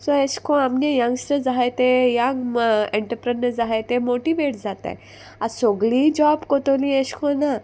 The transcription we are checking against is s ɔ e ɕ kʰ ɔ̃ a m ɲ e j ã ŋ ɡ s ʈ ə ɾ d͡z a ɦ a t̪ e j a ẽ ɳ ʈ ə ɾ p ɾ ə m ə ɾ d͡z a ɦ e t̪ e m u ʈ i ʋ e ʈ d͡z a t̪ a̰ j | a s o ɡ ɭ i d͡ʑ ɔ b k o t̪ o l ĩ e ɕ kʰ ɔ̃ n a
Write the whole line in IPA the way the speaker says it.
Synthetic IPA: s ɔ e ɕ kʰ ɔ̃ a m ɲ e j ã ŋ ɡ s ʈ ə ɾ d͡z a ɦ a t̪ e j a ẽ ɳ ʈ ə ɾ p ɾ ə n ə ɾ d͡z a ɦ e t̪ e m o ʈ i ʋ e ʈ d͡z a t̪ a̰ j | a s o ɡ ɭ i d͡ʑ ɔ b k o t̪ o l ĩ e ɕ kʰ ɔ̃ n a